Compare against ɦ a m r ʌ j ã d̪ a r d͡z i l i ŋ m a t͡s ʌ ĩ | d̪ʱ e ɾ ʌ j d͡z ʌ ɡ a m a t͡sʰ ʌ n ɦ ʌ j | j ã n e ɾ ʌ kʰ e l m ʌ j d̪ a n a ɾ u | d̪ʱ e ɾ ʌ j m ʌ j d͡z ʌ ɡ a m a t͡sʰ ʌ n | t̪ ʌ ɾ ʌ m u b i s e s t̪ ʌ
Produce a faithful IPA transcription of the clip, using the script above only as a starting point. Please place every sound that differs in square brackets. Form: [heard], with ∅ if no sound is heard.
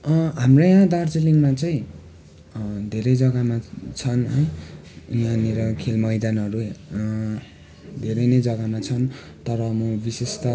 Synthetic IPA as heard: ɦ a m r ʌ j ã d̪ a r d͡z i l i ŋ m a t͡s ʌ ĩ | d̪ʱ e ɾ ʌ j d͡z ʌ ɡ a m a t͡sʰ ʌ n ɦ ʌ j | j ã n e ɾ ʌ kʰ e l m ʌ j d̪ a n [ʌ] ɾ u | d̪ʱ e ɾ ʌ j [n] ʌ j d͡z ʌ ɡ a m a t͡sʰ ʌ n | t̪ ʌ ɾ ʌ m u b i s e s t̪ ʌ